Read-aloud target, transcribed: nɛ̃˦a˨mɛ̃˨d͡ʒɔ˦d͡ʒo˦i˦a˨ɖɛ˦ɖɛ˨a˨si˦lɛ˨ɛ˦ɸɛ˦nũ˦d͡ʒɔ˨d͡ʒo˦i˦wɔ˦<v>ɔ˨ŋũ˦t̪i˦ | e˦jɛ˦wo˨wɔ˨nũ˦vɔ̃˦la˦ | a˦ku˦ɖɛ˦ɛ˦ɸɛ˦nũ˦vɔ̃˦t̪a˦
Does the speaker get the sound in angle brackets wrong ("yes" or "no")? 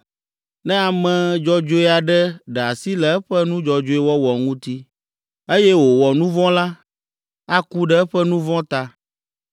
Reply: yes